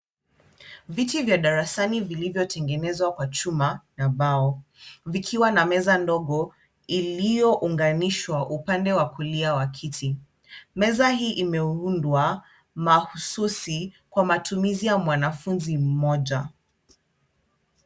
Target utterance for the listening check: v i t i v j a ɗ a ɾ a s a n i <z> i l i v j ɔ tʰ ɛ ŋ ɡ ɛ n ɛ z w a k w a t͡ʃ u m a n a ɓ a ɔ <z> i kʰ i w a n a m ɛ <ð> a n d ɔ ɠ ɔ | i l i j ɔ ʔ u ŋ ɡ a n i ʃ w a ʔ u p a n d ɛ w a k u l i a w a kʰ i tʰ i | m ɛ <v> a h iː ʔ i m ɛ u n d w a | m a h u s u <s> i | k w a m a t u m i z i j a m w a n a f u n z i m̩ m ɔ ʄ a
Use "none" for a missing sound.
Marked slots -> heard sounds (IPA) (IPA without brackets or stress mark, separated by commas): v, v, z, z, s